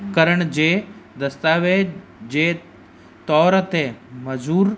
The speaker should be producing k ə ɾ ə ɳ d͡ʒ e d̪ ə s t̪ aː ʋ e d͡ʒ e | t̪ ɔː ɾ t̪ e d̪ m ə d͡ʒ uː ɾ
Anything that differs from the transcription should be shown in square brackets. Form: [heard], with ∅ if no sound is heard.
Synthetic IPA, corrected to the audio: k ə ɾ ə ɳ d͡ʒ e d̪ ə s t̪ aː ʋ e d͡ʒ e | t̪ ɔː ɾ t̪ e [∅] m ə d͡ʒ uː ɾ